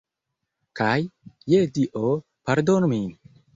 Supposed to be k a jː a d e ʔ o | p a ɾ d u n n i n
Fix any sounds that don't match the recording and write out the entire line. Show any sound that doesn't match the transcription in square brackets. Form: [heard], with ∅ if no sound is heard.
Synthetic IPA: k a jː [e] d [i] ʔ o | p a ɾ d [o] n [m] i n